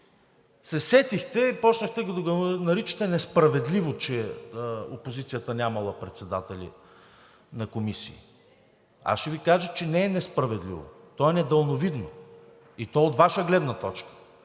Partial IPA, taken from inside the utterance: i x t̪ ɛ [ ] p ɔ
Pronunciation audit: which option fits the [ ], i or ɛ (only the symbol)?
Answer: i